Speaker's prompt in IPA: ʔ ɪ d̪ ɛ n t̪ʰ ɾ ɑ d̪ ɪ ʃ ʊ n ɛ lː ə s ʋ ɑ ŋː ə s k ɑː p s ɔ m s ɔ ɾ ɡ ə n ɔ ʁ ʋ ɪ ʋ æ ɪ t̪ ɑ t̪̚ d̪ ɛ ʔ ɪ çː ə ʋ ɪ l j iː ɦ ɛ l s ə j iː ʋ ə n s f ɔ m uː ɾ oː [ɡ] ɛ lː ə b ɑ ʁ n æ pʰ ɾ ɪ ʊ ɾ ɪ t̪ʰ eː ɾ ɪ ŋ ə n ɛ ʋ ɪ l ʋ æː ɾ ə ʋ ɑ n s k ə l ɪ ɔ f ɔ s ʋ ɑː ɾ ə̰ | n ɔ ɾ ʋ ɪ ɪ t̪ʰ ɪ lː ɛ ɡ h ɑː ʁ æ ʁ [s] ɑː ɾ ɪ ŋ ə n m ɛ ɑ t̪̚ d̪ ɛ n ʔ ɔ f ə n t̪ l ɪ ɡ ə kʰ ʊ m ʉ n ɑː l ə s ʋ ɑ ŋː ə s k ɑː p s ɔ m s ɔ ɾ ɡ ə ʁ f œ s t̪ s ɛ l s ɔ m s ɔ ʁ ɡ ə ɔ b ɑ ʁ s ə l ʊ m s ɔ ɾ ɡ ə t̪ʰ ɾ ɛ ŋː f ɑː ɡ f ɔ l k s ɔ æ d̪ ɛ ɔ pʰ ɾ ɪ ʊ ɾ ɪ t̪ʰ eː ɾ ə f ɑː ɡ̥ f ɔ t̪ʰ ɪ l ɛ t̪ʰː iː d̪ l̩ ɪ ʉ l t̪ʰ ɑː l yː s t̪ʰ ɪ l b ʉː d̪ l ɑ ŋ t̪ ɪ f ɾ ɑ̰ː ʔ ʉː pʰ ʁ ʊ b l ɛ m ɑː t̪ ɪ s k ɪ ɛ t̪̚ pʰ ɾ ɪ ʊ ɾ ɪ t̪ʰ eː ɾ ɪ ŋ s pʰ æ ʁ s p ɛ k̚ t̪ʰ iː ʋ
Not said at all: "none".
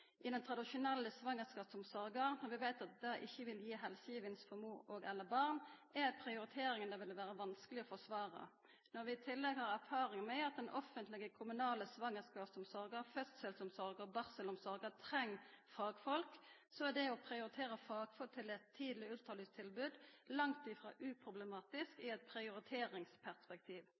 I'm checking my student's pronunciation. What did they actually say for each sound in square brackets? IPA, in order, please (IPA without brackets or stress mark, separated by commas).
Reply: ɡ, f